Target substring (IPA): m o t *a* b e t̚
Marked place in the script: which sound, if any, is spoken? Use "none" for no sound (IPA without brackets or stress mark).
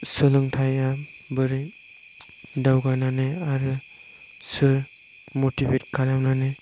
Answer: i